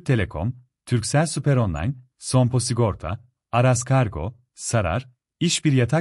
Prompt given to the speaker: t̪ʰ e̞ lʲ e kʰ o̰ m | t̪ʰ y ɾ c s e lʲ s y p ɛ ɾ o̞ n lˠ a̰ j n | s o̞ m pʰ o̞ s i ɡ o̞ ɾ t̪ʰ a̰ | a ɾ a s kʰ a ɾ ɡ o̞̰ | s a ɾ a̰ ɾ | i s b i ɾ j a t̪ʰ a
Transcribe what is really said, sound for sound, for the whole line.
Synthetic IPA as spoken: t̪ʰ e̞ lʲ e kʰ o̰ m | t̪ʰ y ɾ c s æ lʲ s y p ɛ ɾ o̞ n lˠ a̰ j n | s o̞ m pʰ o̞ s i ɡ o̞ ɾ t̪ʰ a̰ | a ɾ a s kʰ a ɾ ɡ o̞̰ | s a ɾ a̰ ɾ | i ʃ b i ɾ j a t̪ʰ a